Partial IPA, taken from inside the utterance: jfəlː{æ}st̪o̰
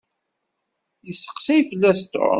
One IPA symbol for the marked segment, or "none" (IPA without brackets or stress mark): æ